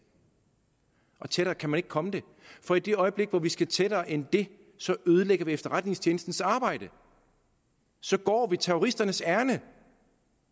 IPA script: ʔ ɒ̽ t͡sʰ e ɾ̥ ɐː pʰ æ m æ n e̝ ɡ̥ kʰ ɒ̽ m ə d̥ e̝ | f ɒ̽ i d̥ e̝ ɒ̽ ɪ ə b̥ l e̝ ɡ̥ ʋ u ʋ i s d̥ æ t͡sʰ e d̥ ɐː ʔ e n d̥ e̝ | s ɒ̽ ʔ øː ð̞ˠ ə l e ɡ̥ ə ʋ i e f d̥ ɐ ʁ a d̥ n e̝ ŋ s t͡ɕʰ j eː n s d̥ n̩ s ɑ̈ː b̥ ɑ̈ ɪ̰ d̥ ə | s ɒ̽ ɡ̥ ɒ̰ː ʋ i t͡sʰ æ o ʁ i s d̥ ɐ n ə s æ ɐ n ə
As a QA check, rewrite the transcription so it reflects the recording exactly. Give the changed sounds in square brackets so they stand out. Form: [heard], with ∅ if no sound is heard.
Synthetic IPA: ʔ ɒ̽ t͡sʰ e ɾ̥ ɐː [kʰ] æ m æ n e̝ ɡ̥ kʰ ɒ̽ m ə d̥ e̝ | f ɒ̽ i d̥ e̝ ɒ̽ ɪ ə b̥ l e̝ ɡ̥ ʋ [ɒ] ʋ i s [ɡ̥] æ t͡sʰ e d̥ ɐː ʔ e n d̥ e̝ | s ɒ̽ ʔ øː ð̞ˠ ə l e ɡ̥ [ɐ] ʋ i e f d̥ ɐ ʁ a d̥ n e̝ ŋ s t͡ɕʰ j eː n s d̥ n̩ s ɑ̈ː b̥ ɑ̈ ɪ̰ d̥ ə | s ɒ̽ ɡ̥ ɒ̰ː ʋ i t͡sʰ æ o ʁ i s d̥ ɐ n ə s æ ɐ n ə

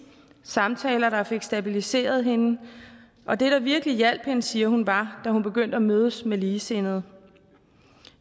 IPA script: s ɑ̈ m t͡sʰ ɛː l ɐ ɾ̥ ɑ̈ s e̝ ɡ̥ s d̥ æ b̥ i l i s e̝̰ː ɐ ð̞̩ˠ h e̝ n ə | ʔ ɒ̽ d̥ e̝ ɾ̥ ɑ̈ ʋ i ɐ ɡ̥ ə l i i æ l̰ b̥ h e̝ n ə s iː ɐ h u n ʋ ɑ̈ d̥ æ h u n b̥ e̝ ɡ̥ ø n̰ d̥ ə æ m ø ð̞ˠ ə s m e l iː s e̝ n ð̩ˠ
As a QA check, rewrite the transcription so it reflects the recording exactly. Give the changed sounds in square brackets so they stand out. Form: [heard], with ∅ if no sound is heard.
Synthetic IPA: s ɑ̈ m t͡sʰ ɛː l ɐ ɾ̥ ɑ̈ [f] e̝ ɡ̥ s d̥ æ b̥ i l i s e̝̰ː ɐ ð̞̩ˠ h e̝ n ə | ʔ ɒ̽ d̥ e̝ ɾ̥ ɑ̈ ʋ i ɐ ɡ̥ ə l i [j] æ l̰ b̥ h e̝ n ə s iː ɐ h u n ʋ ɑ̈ d̥ æ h u n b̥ e̝ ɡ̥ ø n̰ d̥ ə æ m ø ð̞ˠ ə s m e l iː s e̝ n ð̩ˠ

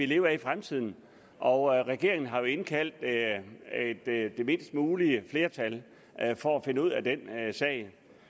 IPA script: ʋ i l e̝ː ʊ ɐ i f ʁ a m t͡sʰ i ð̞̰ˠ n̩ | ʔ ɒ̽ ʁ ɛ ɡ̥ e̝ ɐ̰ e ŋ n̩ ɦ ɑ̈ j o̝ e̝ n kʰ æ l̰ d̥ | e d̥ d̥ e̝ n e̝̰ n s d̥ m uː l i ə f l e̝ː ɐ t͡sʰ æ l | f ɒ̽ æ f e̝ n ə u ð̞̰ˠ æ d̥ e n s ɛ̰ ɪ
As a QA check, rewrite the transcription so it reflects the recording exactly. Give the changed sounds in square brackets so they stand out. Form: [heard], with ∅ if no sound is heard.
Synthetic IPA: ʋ i l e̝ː ʊ ɐ i f ʁ a m t͡sʰ i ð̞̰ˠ n̩ | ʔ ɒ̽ ʁ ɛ ɡ̥ e̝ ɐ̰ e ŋ n̩ ɦ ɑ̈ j o̝ e̝ n kʰ æ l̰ d̥ | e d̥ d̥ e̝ [m] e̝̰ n s d̥ m uː l i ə f l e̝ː ɐ t͡sʰ æ l | f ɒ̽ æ f e̝ n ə u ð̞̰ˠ æ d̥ e n s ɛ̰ ɪ

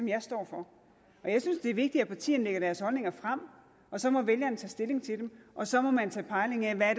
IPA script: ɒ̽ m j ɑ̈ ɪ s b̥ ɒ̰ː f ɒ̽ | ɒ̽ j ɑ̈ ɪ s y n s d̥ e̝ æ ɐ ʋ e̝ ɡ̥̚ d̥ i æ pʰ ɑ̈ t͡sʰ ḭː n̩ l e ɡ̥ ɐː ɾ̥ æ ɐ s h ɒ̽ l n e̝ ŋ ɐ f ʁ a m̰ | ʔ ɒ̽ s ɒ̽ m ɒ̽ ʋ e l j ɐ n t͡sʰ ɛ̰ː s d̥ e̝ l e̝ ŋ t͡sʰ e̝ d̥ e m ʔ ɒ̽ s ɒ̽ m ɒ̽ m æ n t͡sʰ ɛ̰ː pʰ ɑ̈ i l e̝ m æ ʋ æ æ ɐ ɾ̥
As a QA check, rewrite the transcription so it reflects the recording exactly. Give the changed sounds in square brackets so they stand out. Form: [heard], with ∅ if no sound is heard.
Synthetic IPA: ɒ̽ m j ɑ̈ ɪ s [d̥] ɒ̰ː f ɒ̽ | ɒ̽ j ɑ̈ ɪ s y n s d̥ e̝ æ ɐ ʋ e̝ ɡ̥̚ d̥ i æ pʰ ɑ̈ t͡sʰ ḭː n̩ l e ɡ̥ [ɐ] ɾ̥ æ ɐ s h ɒ̽ l n e̝ ŋ ɐ f ʁ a m̰ | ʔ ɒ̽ s ɒ̽ m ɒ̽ ʋ e l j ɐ n t͡sʰ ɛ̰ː s d̥ e̝ l e̝ ŋ t͡sʰ e̝ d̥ e m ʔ ɒ̽ s ɒ̽ m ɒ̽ m æ n t͡sʰ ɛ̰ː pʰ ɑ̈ [ɪ] l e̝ [ŋ] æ ʋ æ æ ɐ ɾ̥

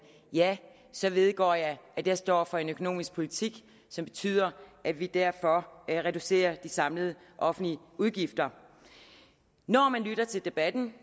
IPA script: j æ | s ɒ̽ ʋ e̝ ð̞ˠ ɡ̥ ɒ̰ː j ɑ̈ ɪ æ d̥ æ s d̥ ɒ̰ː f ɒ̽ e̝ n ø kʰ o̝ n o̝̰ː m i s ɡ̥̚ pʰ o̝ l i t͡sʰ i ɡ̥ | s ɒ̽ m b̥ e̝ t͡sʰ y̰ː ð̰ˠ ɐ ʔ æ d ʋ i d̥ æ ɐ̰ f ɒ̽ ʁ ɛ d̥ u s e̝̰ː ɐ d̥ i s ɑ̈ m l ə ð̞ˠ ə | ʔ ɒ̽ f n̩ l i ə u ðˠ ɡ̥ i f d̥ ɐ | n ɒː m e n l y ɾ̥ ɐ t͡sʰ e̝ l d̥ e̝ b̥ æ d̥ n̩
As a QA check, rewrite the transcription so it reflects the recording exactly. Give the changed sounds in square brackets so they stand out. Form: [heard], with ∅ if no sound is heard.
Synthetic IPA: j æ | s ɒ̽ ʋ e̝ ð̞ˠ ɡ̥ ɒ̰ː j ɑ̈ ɪ æ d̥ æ s d̥ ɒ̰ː f ɒ̽ e̝ n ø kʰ o̝ n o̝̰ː m i s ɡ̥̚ pʰ o̝ l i t͡sʰ i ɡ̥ | s ɒ̽ m b̥ e̝ t͡sʰ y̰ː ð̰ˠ ɐ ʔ æ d ʋ i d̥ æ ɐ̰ f ɒ̽ ʁ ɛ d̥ u s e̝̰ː ɐ d̥ i s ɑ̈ m l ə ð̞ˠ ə | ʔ ɒ̽ f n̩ l i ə u ðˠ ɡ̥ i f d̥ ɐ | n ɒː m [æ] n l y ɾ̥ ɐ t͡sʰ e̝ l d̥ e̝ b̥ æ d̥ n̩

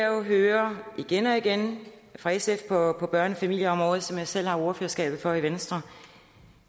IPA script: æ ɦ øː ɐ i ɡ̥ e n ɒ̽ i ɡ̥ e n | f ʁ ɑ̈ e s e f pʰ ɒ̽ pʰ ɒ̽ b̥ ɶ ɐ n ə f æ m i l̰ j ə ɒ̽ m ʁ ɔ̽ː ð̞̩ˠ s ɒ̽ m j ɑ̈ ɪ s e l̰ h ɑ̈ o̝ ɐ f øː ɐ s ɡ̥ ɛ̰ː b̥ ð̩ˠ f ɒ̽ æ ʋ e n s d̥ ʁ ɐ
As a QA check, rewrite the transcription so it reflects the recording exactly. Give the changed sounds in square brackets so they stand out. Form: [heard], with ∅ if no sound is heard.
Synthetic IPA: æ ɦ øː ɐ i ɡ̥ e n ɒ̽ i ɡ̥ e n | f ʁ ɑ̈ e s e f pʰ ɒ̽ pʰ ɒ̽ b̥ ɶ ɐ n ə f æ m i l̰ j ə ɒ̽ m ʁ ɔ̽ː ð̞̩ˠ s ɒ̽ m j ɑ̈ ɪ s e l̰ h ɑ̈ o̝ ɐ f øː ɐ s ɡ̥ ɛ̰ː b̥ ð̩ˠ f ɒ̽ [i] ʋ e n s d̥ ʁ ɐ

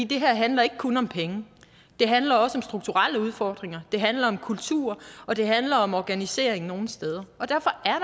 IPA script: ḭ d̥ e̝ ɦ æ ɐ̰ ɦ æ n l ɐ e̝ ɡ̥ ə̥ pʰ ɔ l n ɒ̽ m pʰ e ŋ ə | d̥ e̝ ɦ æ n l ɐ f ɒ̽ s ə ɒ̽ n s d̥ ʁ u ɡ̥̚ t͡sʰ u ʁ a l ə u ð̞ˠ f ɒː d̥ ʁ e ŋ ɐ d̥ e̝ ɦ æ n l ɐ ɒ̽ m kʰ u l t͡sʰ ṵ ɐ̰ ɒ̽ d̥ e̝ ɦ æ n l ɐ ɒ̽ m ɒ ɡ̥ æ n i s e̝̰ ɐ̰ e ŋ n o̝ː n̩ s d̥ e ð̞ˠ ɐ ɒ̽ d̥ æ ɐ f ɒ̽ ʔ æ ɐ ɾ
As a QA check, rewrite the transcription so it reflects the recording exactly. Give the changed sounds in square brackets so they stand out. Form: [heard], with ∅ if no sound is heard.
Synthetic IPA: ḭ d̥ e̝ ɦ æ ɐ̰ ɦ æ n l ɐ e̝ ɡ̥ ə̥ [kʰ] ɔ [∅] n ɒ̽ m pʰ e ŋ ə | d̥ e̝ ɦ æ n l ɐ [∅] ɒ̽ s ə ɒ̽ [m] s d̥ ʁ u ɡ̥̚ t͡sʰ u ʁ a l ə u ð̞ˠ f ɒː d̥ ʁ e ŋ ɐ d̥ e̝ ɦ æ n l ɐ ɒ̽ m kʰ u l t͡sʰ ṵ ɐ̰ ɒ̽ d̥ e̝ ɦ æ n l ɐ ɒ̽ m ɒ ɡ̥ æ n i s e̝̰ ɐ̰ e ŋ n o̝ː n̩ s d̥ e ð̞ˠ ɐ ɒ̽ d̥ æ ɐ f ɒ̽ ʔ æ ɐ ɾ

